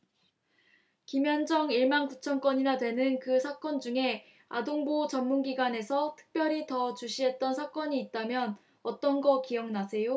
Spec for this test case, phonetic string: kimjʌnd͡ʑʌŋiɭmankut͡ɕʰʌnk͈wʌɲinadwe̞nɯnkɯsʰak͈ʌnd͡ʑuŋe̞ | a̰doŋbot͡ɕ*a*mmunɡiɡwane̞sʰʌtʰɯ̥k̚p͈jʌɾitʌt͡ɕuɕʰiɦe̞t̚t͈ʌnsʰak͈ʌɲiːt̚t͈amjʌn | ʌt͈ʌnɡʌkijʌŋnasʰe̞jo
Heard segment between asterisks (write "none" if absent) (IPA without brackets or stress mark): ʌ